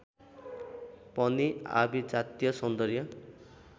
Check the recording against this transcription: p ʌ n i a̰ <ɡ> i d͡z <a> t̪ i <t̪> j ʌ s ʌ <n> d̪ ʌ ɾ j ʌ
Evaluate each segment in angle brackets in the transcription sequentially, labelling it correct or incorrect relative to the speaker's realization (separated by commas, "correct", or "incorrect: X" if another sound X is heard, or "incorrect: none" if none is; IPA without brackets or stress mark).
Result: incorrect: b, correct, incorrect: none, correct